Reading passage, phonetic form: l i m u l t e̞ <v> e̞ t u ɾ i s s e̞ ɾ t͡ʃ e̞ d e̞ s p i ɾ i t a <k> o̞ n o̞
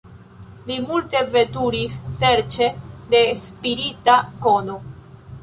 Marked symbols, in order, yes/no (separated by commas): yes, yes